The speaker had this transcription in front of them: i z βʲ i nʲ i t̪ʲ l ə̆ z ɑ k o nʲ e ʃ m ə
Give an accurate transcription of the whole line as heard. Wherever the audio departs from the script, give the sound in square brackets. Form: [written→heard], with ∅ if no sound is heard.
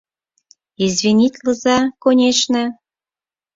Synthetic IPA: i z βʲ i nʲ i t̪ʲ l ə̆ z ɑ k o nʲ e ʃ [m→n] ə